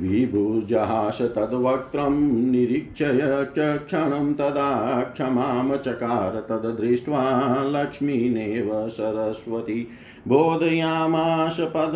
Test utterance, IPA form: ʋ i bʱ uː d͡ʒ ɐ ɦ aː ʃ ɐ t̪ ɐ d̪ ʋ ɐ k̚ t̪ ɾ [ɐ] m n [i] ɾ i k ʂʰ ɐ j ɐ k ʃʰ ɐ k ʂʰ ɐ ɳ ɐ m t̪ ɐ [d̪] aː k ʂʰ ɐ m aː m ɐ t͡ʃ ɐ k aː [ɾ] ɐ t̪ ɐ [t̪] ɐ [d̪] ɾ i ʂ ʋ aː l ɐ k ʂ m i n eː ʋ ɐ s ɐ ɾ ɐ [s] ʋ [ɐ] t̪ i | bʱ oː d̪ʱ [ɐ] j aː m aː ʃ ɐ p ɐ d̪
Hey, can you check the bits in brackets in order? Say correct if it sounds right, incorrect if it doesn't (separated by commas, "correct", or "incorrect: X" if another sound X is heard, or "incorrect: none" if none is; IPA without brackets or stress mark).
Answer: correct, correct, correct, correct, incorrect: d̪, correct, correct, correct, correct